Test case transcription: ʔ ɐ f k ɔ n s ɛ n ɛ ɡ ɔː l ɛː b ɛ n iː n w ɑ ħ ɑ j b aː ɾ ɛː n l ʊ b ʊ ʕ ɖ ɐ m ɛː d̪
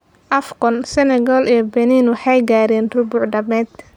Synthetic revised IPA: ʔ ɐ f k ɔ n s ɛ n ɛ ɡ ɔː l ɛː b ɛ n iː n w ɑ ħ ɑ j ɡ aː ɾ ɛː n r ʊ b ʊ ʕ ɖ ɐ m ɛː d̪